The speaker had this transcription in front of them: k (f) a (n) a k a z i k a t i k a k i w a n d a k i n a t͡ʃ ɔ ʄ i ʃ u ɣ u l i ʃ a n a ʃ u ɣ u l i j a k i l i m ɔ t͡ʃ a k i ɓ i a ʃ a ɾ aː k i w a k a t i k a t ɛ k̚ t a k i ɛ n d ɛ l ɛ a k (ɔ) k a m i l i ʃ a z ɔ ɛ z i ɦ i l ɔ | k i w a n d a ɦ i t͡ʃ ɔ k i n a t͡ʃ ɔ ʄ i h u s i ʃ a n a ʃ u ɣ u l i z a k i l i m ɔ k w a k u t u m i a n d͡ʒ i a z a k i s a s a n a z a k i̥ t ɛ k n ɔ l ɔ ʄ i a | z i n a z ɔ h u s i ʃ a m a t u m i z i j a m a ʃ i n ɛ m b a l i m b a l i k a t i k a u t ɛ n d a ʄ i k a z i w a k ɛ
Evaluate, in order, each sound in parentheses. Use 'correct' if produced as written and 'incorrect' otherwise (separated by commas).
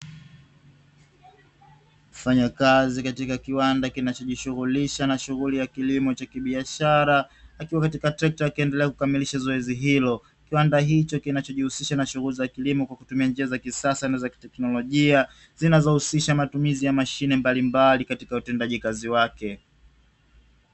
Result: correct, incorrect, incorrect